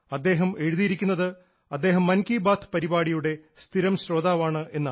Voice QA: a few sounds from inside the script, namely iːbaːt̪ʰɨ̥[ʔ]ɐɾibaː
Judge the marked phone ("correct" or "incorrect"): incorrect